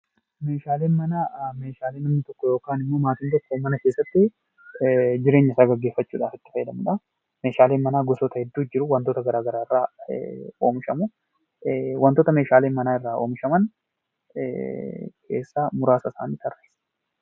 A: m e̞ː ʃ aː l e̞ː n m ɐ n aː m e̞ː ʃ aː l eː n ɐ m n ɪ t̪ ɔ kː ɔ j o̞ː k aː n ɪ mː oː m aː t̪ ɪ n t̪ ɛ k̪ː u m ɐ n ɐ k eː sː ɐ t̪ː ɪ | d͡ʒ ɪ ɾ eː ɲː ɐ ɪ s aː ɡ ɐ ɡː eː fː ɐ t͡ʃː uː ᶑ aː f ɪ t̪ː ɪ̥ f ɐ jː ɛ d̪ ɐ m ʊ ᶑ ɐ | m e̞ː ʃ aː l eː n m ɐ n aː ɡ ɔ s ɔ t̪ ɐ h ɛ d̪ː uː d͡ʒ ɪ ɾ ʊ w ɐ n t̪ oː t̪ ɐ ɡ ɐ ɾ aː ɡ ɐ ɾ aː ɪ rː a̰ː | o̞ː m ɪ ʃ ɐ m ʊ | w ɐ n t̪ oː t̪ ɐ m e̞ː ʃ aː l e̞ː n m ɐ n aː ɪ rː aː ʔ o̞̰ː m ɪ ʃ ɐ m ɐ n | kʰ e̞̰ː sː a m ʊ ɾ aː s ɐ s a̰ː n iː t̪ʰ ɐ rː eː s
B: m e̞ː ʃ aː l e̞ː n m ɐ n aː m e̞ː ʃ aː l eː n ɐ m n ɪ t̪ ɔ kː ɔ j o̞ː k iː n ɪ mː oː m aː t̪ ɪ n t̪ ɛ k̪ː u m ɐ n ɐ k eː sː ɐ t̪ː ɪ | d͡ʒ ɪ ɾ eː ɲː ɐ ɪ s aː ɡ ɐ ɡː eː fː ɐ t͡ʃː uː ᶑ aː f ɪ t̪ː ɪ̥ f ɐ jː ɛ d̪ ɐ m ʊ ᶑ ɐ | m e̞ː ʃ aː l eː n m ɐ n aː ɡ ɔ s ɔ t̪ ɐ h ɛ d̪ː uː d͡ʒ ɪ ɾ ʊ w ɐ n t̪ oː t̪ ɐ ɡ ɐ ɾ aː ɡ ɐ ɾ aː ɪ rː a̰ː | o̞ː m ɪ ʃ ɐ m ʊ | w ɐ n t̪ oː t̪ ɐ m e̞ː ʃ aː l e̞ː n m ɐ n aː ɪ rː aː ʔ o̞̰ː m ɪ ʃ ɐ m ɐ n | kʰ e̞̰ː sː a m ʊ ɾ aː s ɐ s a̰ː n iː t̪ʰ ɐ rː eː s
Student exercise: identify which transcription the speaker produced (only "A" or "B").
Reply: A